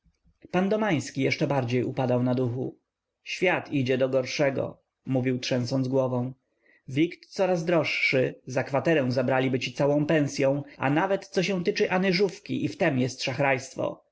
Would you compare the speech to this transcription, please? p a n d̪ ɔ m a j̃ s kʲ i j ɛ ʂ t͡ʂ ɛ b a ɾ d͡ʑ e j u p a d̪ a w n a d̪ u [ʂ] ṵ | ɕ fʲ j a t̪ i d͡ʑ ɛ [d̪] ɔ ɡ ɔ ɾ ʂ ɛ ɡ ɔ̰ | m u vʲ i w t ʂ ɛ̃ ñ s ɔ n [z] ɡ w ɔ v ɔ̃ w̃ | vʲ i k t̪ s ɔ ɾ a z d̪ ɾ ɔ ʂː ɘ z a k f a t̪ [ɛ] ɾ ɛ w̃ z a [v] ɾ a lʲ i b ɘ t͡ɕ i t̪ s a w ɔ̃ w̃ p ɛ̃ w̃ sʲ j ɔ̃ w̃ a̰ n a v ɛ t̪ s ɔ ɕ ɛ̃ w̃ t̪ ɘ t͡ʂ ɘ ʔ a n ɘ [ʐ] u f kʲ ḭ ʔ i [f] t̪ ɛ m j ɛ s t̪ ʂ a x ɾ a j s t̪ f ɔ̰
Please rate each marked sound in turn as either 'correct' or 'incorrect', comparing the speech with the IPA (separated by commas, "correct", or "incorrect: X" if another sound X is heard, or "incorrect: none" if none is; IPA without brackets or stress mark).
incorrect: x, correct, correct, correct, incorrect: b, correct, correct